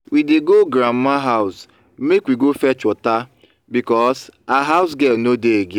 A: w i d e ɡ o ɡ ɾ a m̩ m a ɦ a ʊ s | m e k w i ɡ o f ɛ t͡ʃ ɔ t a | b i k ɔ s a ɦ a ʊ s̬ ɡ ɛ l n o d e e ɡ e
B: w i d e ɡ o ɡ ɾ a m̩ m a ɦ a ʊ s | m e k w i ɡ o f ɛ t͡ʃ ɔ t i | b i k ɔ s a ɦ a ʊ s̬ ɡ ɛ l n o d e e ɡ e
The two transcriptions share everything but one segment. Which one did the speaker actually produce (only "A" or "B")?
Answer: A